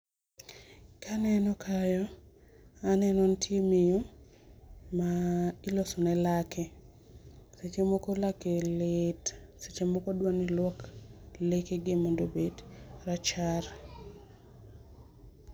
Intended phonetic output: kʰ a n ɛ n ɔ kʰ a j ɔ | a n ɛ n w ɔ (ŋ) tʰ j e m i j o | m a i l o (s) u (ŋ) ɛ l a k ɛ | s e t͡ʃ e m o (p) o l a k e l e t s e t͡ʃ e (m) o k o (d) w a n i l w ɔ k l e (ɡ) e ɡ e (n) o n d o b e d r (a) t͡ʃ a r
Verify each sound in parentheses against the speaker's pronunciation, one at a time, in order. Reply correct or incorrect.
incorrect, correct, incorrect, incorrect, correct, correct, incorrect, incorrect, correct

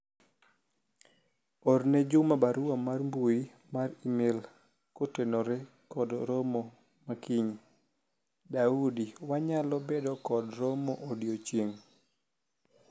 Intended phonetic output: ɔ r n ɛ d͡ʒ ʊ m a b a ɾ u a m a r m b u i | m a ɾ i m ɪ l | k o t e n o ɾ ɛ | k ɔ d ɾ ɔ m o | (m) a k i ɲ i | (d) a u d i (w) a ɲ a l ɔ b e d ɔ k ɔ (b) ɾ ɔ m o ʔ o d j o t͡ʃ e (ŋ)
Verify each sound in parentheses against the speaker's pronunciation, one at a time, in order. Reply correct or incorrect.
correct, correct, correct, incorrect, correct

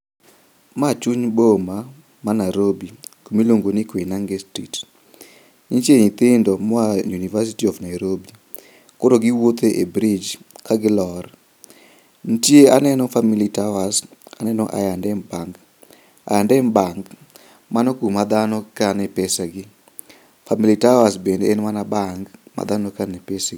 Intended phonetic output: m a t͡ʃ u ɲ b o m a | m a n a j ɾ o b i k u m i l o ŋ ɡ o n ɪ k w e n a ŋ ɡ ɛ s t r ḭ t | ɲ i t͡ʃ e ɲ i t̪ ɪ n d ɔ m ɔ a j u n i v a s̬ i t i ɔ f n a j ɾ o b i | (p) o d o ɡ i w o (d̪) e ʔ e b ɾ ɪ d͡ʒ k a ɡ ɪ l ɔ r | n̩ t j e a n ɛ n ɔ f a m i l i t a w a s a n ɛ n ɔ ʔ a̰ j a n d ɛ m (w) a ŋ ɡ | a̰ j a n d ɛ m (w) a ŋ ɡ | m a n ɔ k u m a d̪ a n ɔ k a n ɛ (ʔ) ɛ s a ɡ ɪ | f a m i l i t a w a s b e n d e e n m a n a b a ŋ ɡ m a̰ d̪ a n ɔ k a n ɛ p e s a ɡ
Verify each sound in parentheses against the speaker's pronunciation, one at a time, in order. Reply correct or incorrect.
incorrect, incorrect, incorrect, incorrect, incorrect

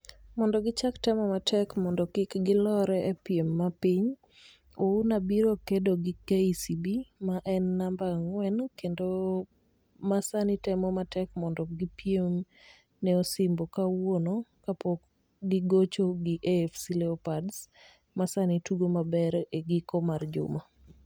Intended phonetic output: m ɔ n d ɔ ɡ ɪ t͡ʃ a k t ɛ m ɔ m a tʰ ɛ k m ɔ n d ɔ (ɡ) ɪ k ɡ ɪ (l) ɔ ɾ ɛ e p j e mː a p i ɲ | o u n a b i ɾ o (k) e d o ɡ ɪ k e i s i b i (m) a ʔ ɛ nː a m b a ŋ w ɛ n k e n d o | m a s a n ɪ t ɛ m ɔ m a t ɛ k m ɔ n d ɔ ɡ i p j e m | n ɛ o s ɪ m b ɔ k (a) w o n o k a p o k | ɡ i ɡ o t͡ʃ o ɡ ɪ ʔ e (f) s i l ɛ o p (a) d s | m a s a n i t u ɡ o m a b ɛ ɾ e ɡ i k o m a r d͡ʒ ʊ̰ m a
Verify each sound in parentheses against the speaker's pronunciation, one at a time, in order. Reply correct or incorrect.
incorrect, correct, correct, correct, correct, correct, correct

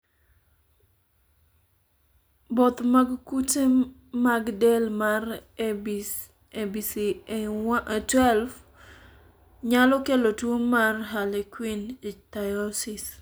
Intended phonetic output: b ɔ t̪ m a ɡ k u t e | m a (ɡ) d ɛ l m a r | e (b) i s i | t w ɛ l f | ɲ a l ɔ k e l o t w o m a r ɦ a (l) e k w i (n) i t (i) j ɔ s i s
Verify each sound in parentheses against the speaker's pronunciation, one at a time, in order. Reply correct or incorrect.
correct, correct, correct, correct, incorrect

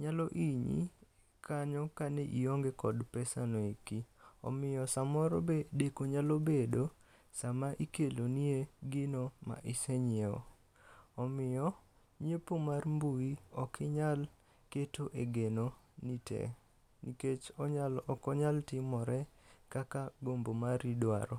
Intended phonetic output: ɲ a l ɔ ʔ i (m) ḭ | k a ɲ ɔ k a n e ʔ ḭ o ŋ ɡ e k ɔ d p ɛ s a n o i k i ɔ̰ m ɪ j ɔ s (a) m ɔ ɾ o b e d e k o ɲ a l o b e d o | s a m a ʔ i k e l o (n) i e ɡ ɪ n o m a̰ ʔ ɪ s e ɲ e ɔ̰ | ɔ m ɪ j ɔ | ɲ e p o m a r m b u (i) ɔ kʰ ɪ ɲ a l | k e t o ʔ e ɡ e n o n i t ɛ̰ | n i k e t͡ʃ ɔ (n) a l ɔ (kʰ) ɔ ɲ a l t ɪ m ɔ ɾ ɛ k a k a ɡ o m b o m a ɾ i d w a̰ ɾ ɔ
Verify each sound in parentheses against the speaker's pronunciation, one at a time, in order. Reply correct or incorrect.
incorrect, correct, correct, correct, incorrect, incorrect

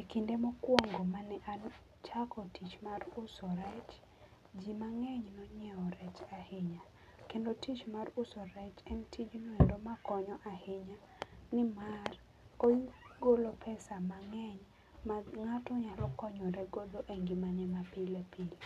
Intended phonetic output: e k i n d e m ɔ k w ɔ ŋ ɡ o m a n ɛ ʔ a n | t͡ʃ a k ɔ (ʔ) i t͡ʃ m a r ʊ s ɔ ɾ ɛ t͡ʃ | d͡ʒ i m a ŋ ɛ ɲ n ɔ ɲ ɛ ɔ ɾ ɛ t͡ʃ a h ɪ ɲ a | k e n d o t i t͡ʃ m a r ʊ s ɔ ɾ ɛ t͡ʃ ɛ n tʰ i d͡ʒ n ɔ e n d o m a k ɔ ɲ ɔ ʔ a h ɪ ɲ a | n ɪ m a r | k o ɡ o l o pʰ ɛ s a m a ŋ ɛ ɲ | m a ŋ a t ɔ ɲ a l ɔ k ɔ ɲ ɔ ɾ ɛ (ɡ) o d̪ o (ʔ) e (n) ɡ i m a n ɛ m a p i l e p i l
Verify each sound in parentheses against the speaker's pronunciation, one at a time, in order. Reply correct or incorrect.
incorrect, correct, correct, incorrect

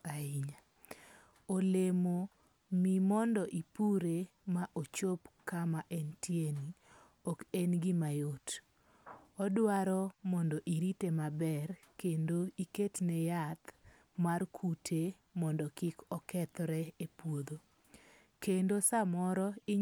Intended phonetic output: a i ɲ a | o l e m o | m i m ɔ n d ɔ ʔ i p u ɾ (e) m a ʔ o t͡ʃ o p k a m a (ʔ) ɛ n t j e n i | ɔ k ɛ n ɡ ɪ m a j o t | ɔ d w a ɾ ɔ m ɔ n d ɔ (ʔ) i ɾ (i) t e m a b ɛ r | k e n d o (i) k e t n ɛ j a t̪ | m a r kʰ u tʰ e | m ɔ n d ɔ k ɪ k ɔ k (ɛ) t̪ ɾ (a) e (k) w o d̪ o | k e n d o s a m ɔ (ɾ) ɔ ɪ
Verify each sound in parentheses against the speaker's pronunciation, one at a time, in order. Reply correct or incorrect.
correct, correct, correct, correct, correct, correct, incorrect, incorrect, correct

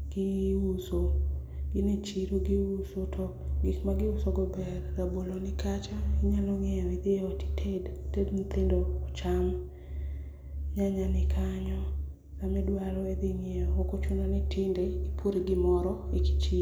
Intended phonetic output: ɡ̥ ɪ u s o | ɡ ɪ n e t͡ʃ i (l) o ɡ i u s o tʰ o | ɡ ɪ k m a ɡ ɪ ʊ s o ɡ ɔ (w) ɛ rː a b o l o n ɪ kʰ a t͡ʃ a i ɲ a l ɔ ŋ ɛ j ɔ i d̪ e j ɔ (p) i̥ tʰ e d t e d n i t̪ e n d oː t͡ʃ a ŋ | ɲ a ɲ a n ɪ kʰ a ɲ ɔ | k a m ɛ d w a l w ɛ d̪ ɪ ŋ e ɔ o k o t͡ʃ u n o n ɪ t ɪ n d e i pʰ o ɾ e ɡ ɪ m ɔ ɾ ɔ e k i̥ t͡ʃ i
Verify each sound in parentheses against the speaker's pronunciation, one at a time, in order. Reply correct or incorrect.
incorrect, incorrect, incorrect

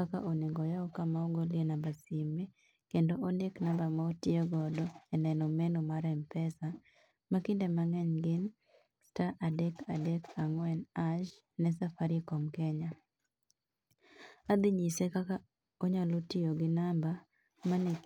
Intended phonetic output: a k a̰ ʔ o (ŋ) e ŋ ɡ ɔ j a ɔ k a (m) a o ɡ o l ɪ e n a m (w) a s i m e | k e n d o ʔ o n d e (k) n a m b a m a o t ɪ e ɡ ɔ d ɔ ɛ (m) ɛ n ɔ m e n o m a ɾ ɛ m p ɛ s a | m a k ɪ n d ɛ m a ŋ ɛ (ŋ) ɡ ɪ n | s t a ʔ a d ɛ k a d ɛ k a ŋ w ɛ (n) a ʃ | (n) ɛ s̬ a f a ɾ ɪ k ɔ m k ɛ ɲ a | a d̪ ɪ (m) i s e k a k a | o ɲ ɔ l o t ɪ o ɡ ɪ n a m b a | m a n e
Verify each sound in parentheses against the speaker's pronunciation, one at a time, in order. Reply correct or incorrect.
incorrect, correct, incorrect, correct, incorrect, incorrect, correct, correct, incorrect

